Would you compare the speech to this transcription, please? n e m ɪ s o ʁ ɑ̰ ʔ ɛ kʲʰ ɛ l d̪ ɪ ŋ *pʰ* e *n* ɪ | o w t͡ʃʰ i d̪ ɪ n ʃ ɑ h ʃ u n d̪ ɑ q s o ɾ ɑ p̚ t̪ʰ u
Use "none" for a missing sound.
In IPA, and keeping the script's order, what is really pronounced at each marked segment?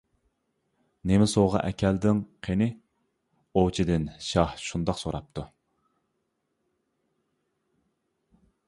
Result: qʰ, n

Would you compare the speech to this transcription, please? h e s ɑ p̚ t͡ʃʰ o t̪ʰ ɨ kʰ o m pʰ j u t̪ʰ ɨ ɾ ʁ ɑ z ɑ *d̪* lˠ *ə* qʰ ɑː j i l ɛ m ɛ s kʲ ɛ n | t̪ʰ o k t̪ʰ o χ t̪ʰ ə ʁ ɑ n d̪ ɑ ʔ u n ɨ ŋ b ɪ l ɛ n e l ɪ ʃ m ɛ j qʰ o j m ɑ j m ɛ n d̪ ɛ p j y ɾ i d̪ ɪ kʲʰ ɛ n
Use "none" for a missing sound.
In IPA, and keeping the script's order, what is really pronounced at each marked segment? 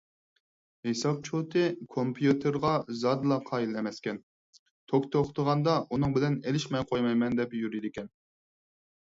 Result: d̪, ɑ

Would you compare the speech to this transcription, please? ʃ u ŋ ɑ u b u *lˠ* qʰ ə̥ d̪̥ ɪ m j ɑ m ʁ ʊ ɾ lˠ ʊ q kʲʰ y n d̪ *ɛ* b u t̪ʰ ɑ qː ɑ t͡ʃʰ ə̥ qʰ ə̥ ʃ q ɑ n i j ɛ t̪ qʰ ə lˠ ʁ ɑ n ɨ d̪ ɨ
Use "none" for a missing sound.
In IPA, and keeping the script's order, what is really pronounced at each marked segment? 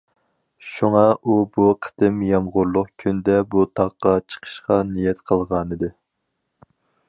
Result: none, ɛ

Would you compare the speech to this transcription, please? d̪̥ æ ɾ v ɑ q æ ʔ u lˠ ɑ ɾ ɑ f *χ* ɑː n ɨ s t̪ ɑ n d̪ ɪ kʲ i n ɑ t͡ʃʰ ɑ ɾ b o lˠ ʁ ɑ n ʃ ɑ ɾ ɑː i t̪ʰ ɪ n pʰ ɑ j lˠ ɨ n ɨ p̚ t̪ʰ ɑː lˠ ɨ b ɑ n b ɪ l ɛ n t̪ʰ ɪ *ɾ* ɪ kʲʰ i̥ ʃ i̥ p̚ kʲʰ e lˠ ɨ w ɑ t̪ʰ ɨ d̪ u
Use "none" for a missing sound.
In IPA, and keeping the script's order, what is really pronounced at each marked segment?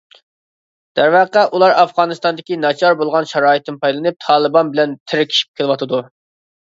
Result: ʁ, ɾ

